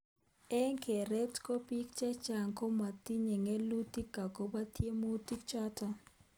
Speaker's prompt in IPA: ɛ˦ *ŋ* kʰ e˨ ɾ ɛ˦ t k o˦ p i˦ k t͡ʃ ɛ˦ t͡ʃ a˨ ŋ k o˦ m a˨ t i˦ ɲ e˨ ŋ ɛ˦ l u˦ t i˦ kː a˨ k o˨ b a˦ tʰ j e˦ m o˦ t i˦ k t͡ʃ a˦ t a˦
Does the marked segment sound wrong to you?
no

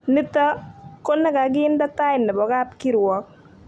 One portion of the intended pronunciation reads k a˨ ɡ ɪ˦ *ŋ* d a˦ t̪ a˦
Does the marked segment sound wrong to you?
yes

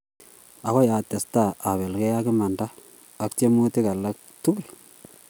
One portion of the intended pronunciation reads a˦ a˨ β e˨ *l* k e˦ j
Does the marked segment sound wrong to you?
no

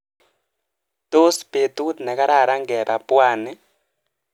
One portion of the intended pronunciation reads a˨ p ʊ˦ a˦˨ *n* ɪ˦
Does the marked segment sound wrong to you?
no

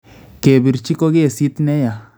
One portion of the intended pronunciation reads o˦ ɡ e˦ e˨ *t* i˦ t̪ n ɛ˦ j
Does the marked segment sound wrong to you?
yes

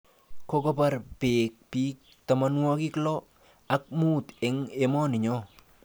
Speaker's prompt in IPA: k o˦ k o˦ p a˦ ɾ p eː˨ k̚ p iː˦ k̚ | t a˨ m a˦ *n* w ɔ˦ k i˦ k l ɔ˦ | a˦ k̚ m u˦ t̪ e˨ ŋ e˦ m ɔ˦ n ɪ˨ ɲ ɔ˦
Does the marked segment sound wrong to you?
no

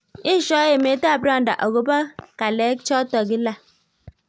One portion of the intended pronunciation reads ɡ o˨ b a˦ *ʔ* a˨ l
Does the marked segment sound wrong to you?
yes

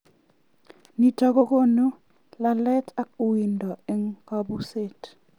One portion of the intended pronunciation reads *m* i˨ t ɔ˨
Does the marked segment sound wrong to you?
yes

